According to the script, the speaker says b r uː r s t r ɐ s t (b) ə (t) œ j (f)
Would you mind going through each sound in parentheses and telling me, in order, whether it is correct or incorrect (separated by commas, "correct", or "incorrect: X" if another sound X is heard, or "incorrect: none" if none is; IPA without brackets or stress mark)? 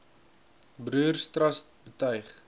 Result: correct, correct, incorrect: χ